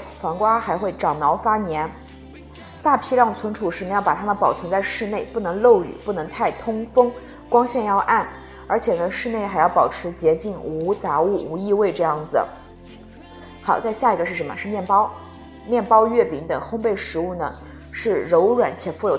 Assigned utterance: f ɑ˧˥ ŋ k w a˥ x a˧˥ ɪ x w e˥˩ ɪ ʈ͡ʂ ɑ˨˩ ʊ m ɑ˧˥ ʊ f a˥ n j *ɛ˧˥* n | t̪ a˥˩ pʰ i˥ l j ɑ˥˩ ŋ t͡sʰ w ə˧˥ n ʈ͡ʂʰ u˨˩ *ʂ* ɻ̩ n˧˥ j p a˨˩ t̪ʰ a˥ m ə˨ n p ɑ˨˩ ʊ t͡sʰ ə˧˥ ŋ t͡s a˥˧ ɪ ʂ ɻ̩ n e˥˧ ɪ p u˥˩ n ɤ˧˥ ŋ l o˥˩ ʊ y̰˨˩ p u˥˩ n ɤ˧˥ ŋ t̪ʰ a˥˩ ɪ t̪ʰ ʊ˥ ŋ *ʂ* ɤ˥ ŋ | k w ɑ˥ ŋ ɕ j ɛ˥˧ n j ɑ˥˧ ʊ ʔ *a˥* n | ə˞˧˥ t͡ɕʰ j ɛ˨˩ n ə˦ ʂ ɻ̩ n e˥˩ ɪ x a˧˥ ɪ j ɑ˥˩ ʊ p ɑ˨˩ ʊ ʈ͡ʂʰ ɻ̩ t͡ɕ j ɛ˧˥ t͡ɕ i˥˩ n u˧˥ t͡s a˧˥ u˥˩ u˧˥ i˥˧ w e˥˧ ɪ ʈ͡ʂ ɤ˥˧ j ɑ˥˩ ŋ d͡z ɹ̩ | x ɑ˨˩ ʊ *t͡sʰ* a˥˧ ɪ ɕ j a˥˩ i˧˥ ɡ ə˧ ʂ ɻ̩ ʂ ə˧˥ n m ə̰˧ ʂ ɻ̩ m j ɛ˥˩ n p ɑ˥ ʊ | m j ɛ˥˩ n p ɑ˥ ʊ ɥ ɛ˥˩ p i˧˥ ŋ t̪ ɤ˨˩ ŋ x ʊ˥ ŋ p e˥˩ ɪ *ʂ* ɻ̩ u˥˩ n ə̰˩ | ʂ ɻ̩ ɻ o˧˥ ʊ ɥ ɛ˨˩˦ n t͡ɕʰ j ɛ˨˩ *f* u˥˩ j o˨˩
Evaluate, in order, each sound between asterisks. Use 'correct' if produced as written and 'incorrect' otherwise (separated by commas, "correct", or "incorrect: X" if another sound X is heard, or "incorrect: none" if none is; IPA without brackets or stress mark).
correct, correct, incorrect: f, incorrect: a˥˩, incorrect: t͡s, correct, correct